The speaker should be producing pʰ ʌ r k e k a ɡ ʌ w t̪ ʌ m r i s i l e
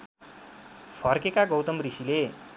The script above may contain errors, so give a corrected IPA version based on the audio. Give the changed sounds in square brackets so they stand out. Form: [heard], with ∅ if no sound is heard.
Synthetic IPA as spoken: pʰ ʌ r k e k a ɡ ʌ w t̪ ʌ m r i s i l e